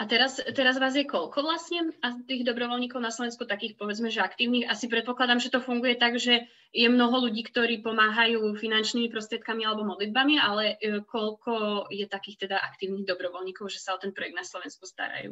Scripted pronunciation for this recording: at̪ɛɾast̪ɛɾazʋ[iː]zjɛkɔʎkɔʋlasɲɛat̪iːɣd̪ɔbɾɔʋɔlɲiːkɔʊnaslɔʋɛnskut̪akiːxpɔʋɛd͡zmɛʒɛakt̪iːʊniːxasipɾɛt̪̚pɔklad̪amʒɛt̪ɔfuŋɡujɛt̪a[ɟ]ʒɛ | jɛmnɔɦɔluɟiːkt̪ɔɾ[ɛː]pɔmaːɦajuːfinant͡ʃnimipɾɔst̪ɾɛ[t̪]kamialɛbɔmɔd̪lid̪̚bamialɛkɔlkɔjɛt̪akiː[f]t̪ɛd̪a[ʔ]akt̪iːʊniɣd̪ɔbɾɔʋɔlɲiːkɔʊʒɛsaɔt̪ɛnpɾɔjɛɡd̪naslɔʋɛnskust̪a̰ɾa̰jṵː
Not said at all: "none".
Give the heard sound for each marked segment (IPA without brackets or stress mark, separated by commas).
aː, ɡ, iː, t̪, x, ʔ